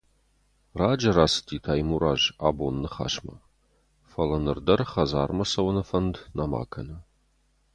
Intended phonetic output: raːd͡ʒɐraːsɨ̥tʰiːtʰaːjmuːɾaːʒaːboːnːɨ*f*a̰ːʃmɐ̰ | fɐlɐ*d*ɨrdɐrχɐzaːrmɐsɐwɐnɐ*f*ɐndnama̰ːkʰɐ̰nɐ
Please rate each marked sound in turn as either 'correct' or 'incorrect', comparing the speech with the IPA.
incorrect, incorrect, correct

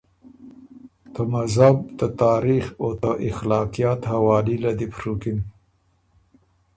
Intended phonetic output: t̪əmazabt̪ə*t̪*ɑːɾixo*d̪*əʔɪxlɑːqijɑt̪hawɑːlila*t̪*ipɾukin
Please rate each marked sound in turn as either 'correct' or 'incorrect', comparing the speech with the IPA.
correct, incorrect, incorrect

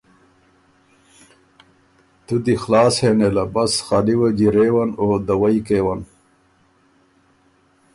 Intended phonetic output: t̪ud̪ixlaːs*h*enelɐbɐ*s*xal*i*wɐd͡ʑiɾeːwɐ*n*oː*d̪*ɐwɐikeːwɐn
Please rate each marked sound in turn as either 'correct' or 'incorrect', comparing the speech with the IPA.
correct, correct, correct, correct, correct

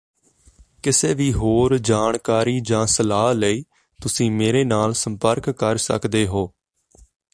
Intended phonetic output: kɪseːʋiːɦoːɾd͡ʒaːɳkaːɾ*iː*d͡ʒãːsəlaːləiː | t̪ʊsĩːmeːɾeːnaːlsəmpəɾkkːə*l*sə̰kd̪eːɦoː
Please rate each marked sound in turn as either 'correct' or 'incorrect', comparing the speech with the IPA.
correct, incorrect

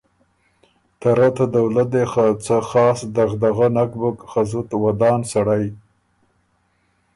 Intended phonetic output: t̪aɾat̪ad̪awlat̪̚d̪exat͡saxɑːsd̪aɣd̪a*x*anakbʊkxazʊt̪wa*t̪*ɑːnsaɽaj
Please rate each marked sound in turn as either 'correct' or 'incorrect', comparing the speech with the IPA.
incorrect, incorrect

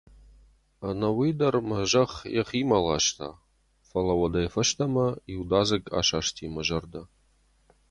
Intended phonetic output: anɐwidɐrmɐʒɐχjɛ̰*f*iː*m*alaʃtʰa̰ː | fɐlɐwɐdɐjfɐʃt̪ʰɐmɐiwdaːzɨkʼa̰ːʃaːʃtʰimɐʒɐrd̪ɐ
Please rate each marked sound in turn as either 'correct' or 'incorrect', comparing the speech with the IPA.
incorrect, correct

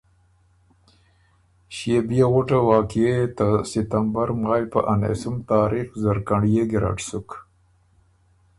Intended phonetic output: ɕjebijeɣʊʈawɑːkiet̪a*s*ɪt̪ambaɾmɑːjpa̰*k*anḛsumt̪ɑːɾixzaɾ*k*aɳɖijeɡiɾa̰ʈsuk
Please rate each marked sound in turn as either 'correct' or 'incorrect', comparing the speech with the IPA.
correct, incorrect, correct

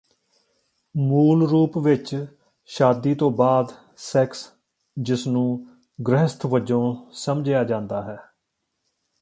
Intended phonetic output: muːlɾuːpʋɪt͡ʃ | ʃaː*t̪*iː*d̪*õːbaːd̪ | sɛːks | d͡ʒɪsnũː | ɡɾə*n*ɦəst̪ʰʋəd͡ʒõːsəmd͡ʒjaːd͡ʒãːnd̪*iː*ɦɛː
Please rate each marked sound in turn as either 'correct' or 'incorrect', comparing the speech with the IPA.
incorrect, incorrect, incorrect, incorrect

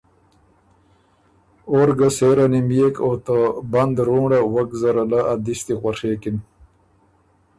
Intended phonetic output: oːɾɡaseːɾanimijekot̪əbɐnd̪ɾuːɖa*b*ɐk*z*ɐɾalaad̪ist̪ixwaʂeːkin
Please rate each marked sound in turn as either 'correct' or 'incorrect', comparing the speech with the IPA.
incorrect, correct

